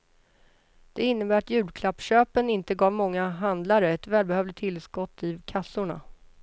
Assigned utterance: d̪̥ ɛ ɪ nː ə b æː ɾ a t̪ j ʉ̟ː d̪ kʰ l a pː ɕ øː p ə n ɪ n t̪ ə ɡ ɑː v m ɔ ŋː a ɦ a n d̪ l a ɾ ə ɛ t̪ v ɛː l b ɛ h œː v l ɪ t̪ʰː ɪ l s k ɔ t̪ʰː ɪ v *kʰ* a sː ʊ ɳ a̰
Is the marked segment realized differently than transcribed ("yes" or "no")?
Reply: no